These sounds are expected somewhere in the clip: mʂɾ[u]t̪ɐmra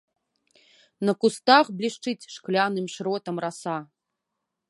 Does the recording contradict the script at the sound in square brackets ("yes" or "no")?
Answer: yes